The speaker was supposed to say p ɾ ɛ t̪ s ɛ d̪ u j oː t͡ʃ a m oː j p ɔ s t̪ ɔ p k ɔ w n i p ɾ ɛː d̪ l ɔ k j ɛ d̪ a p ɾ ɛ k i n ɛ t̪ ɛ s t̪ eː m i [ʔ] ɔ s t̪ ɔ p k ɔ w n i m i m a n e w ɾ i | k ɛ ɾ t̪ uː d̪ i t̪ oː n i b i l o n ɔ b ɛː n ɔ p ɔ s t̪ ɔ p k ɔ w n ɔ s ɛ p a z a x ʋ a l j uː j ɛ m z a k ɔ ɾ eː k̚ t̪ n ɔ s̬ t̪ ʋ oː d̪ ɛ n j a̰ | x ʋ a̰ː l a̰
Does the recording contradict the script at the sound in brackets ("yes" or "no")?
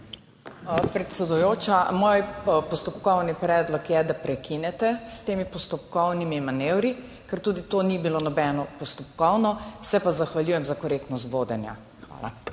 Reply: yes